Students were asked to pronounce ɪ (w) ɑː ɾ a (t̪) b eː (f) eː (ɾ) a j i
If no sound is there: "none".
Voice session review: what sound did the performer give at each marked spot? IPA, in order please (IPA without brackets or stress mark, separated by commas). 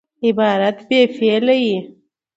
b, t̪, f, l